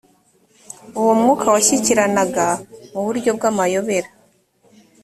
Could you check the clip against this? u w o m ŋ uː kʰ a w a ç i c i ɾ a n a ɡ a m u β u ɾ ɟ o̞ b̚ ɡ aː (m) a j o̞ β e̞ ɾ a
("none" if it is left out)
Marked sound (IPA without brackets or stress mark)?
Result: m